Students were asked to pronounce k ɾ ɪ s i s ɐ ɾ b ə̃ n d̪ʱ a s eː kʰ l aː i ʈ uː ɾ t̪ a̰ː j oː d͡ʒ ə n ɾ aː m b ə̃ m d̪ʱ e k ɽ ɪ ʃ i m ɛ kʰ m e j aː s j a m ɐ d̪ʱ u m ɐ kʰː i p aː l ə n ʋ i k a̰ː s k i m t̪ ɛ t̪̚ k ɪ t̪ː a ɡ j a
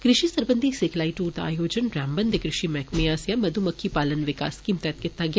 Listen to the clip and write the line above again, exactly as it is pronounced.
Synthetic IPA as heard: k ɾ ɪ ʃ i s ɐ ɾ b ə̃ n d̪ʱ i s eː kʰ l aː i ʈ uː ɾ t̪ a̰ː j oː d͡ʒ ə n ɾ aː m b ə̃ n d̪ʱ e k ɾ ɪ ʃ i m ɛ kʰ m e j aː s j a m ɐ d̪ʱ u m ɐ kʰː i p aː l ə n ʋ ɪ k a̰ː s k i m t̪ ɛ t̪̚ k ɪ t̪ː a ɡ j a